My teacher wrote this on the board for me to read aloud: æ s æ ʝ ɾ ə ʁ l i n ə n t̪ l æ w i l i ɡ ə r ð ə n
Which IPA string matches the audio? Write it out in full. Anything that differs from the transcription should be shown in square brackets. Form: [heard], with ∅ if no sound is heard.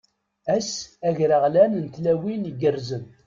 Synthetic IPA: æ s æ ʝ ɾ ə ʁ l [æ] n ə n t̪ l æ w i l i ɡ ə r [z] ə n

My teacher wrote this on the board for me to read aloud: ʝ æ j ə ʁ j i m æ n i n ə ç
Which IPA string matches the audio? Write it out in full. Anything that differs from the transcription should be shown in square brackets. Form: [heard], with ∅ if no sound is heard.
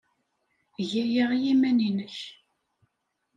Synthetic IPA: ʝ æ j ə ʁ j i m æ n i n ə ç

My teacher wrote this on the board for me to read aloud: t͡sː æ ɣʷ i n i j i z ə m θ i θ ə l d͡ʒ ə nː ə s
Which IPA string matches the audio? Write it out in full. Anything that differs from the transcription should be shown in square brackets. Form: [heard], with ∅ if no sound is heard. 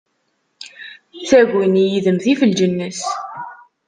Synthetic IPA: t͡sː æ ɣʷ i n i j i [ð] ə m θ i [f] ə l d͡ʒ ə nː ə s

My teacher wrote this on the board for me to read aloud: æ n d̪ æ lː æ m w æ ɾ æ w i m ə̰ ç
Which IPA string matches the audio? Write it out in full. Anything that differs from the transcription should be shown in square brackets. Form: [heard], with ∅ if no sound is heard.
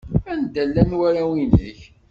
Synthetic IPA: æ n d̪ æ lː æ [n] w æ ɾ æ w i [n] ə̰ ç

